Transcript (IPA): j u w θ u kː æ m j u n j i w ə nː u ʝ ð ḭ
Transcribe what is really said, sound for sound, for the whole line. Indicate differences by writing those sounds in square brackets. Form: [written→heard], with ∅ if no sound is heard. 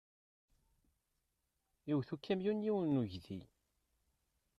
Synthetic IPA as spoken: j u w θ u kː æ m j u n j i w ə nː u ʝ ð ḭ